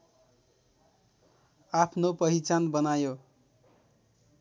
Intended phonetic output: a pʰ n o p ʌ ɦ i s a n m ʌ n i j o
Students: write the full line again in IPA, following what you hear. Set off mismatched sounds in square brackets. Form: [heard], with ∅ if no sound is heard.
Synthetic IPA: a pʰ n o p ʌ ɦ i [t͡s] a n [b] ʌ n [a] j o

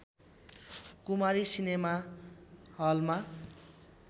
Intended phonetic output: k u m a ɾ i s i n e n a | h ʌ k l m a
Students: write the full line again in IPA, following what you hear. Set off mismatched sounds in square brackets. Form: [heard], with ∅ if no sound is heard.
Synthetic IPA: k u m a ɾ i s i n e [m] a | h ʌ [∅] l m a

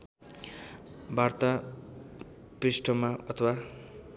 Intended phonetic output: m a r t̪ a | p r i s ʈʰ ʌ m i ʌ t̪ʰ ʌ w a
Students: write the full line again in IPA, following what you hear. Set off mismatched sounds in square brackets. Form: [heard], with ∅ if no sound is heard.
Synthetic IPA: [b] a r t̪ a | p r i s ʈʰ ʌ m [a] ʌ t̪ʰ ʌ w a

